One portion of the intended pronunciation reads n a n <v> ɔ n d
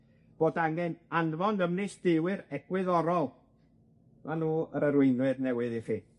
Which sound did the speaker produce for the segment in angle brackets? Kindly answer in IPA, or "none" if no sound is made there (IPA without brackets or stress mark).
v